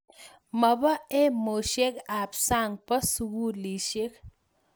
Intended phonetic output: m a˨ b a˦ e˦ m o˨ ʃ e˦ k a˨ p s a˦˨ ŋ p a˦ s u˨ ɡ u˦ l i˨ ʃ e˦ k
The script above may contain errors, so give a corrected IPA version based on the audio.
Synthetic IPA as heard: m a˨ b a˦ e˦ m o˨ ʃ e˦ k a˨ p s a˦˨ ŋ p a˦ s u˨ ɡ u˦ l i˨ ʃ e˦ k